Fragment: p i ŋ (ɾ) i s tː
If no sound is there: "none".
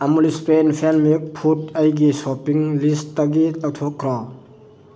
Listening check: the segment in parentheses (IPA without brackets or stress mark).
l